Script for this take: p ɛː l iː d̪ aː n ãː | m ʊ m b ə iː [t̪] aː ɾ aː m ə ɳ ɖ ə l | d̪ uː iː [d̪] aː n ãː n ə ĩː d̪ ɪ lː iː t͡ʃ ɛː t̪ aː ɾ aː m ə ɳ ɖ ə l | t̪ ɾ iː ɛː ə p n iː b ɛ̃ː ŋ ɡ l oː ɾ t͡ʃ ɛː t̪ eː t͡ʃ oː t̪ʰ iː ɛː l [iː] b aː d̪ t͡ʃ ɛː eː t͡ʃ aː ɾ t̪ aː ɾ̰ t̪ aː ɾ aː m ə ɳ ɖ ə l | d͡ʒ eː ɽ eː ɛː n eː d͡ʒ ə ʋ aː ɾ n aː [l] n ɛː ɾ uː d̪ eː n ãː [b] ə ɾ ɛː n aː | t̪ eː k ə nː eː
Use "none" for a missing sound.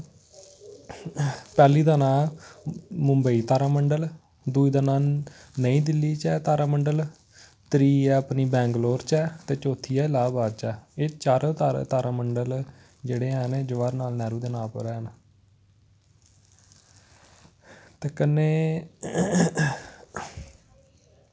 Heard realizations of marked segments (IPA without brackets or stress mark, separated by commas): t̪, d̪, aː, l, p